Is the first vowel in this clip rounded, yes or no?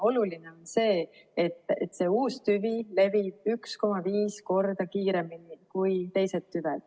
yes